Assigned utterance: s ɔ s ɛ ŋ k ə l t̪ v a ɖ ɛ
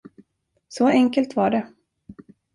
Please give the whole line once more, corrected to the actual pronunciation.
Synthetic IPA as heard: s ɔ ɛ ŋ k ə l t̪ v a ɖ ɛ

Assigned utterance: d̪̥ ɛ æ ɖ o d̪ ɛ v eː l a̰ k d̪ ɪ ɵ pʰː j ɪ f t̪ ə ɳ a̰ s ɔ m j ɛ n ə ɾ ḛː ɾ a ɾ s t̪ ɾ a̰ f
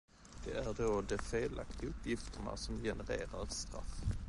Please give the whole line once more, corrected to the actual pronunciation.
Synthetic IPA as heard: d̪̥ ɛ æ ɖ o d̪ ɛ f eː l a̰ k t̪ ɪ ɵ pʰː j ɪ f t̪ ə ɳ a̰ s ɔ m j ɛ n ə ɾ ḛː ɾ a ɾ s t̪ ɾ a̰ f

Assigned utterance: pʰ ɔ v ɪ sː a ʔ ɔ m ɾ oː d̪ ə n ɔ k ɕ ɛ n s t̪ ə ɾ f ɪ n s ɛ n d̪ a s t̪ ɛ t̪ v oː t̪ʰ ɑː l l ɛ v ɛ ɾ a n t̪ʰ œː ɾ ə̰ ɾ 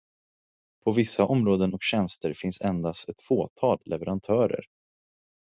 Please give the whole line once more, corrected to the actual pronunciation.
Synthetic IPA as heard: pʰ ɔ v ɪ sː a ʔ ɔ m ɾ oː d̪ ə n ɔ k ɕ ɛ n s t̪ ə ɾ f ɪ n s ɛ n d̪ a s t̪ ɛ t̪ f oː t̪ʰ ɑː l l ɛ v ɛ ɾ a n t̪ʰ œː ɾ ə̰ ɾ

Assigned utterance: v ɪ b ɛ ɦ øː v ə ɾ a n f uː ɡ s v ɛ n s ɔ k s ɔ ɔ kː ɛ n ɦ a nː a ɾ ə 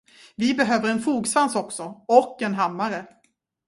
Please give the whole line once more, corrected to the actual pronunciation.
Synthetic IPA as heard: v ɪ b ɛ ɦ øː v ə ɾ ɛ n f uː ɡ s v a n s ɔ k s ɔ ɔ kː ɛ n ɦ a mː a ɾ ə

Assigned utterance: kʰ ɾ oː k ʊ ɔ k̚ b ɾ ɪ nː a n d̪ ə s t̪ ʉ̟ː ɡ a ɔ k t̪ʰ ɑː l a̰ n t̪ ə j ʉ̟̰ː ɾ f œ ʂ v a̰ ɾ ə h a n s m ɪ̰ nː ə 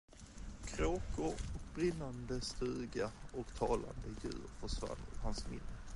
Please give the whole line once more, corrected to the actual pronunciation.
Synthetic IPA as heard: kʰ ɾ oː k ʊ ɔ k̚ b ɾ ɪ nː a n d̪ ə s t̪ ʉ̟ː ɡ a ɔ k t̪ʰ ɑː l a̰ n d̪ ə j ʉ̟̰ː ɾ f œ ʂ v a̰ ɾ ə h a n s m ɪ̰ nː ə

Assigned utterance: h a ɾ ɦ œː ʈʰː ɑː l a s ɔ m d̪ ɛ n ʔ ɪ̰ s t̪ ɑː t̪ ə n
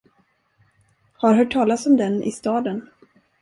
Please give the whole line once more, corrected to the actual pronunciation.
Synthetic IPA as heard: h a ɾ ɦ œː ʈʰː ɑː l a s ɔ m d̪ ɛ n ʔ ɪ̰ s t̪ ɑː d̪ ə n

